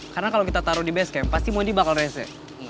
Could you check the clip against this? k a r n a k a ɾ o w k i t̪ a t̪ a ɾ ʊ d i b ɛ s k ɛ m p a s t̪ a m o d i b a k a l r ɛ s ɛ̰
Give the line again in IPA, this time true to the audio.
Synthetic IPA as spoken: k a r n a k a l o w k i t̪ a t̪ a ɾ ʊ d i b ɛ s k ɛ m p a s t̪ i m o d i b a k a l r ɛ s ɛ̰